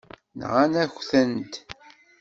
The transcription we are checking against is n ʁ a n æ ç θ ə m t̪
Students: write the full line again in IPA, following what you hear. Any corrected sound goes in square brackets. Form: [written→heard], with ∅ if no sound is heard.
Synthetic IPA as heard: n ʁ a n æ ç θ ə [m→n] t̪